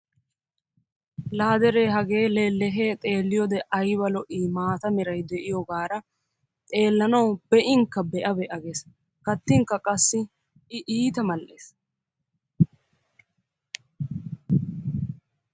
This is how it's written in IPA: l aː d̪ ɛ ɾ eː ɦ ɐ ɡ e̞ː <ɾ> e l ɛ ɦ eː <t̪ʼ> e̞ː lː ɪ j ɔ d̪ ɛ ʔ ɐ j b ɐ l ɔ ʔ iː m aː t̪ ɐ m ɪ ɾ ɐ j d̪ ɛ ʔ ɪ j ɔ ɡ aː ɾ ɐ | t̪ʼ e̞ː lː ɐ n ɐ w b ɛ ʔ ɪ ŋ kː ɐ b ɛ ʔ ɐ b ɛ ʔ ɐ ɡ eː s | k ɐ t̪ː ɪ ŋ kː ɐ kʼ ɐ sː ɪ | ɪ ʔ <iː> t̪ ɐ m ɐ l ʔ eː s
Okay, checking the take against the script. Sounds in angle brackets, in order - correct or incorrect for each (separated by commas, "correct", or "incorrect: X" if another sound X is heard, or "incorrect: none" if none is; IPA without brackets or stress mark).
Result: incorrect: l, correct, correct